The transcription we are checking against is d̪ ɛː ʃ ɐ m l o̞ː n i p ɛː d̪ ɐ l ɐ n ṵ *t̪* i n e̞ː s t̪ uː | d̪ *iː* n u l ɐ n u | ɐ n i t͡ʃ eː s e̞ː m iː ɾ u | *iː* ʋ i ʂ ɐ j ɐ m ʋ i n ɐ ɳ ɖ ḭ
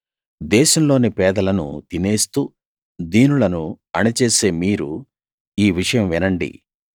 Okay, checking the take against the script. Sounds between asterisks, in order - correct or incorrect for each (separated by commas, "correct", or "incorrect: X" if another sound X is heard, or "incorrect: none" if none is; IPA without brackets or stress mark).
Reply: correct, correct, correct